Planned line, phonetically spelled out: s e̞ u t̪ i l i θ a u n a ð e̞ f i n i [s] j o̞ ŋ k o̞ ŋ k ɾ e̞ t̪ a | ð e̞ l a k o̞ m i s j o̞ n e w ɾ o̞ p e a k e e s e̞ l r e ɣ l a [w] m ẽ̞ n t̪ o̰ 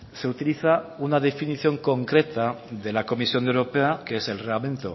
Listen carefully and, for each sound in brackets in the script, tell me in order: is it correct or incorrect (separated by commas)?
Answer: incorrect, incorrect